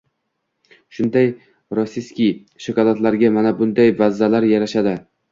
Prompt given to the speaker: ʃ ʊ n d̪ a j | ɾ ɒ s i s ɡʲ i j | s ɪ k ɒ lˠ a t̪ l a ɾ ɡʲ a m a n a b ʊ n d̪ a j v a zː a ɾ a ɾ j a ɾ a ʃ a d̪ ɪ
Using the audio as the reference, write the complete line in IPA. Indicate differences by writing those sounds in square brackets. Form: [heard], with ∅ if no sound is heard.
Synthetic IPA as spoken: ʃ ʊ n d̪ a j | ɾ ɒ s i s [kʲ] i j | [ʃ] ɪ k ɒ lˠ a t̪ l a ɾ ɡʲ a m a n a b ʊ n d̪ a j v a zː a [l] a ɾ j a ɾ a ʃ a d̪ ɪ